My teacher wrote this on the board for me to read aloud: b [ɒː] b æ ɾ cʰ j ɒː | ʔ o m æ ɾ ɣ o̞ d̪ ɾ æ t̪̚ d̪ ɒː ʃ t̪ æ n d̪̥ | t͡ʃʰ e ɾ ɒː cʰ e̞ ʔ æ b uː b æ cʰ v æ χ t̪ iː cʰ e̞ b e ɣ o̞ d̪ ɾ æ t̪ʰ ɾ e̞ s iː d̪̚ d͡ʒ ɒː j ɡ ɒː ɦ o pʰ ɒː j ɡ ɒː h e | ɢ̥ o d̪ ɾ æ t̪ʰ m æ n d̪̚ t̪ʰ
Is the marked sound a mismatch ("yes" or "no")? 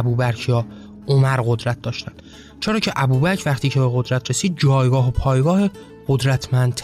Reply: yes